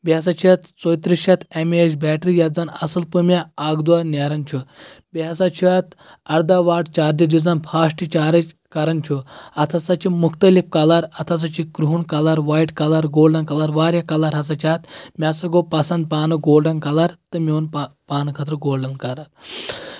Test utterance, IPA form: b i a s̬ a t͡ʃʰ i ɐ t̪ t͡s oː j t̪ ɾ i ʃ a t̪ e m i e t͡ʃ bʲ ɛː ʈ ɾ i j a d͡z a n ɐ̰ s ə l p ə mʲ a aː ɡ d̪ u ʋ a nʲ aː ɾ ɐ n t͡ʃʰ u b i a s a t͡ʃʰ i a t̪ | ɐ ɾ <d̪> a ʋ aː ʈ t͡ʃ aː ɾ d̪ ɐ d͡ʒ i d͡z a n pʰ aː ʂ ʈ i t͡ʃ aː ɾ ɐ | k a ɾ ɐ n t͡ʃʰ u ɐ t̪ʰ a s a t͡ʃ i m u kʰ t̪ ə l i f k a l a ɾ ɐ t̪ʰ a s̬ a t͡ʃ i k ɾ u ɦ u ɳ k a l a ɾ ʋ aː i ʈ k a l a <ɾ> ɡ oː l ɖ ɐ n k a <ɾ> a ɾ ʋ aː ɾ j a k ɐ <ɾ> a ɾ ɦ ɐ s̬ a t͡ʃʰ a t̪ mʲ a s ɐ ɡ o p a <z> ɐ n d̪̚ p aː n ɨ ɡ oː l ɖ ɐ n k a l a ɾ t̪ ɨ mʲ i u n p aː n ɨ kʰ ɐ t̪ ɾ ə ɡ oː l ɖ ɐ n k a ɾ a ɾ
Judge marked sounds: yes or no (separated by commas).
yes, yes, no, no, no